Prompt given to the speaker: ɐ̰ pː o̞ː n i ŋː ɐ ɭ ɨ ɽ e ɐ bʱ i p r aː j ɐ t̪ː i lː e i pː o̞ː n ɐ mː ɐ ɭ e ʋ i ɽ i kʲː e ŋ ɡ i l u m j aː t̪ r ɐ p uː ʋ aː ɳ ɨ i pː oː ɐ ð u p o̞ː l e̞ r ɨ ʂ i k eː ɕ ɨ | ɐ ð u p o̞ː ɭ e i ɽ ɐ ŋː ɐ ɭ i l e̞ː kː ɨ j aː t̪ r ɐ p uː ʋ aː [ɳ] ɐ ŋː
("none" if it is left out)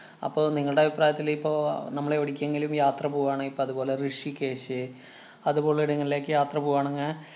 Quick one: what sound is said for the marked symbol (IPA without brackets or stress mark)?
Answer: ɳ